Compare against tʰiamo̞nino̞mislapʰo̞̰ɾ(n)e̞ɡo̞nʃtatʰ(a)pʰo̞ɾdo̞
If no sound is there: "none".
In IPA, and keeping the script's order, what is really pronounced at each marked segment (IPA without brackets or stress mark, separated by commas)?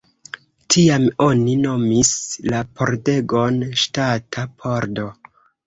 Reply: d, a